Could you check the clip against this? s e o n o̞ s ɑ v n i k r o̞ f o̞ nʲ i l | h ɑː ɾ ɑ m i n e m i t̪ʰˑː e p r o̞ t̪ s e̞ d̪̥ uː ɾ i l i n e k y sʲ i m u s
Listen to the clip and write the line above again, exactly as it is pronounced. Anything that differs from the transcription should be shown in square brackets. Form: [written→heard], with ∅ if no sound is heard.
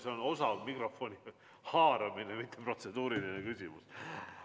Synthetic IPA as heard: s e o n o̞ s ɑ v [n→m] i k r o̞ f o̞ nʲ i [l→∅] | h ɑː ɾ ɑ m i n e m i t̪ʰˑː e p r o̞ t̪ s e̞ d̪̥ uː ɾ i l i n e k y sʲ i m u s

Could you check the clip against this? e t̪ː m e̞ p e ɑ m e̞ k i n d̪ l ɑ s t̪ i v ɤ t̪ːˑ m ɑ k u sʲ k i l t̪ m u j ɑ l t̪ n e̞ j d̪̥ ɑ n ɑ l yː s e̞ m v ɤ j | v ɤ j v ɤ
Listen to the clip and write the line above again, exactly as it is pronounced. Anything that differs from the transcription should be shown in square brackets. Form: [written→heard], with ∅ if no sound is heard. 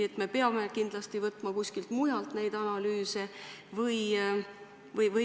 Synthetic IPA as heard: e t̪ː m e̞ p e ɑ m e̞ k i n d̪ l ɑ s t̪ i v ɤ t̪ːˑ m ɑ k u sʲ k i l t̪ m u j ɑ l t̪ n e̞ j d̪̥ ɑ n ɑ l yː s e̞ [m→∅] v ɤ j | v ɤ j v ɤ

